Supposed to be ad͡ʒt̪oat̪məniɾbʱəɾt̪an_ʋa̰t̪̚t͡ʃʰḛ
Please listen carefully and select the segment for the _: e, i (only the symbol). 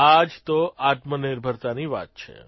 i